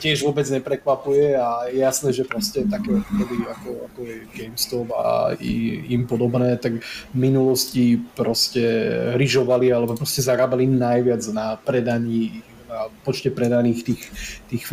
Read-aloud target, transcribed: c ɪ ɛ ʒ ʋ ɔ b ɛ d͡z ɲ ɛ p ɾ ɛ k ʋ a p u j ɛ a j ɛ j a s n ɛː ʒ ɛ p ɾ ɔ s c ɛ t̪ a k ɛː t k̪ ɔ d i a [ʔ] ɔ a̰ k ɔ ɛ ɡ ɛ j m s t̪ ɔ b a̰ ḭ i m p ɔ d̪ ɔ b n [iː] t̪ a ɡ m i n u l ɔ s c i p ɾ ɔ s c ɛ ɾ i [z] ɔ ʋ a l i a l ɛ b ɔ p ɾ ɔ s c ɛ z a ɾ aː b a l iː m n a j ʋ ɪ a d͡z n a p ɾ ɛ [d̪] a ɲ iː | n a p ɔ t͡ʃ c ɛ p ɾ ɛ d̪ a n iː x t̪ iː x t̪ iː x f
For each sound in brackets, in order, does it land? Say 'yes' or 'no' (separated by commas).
no, no, no, yes